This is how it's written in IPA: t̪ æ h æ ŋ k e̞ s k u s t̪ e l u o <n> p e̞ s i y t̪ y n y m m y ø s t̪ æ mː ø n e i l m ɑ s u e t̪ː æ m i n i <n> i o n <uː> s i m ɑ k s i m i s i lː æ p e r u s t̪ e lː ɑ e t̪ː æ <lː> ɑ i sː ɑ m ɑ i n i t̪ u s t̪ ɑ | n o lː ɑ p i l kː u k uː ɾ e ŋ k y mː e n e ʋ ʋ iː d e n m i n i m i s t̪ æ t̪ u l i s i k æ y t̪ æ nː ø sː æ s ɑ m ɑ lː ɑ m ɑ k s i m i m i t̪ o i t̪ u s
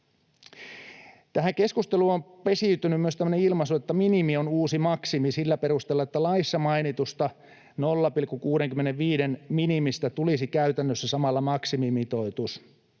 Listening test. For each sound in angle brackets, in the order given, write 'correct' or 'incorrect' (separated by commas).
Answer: incorrect, incorrect, correct, incorrect